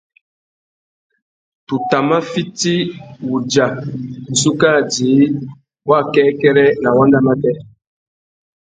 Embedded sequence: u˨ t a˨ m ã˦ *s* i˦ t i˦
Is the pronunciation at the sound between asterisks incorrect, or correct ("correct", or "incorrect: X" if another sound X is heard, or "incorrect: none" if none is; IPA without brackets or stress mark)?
incorrect: f